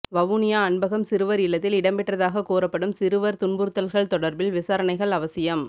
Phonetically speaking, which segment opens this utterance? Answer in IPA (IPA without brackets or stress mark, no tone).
ʋ